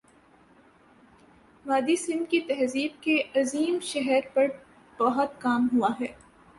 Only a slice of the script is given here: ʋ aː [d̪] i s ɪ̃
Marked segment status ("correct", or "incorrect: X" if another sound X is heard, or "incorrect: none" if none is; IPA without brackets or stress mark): correct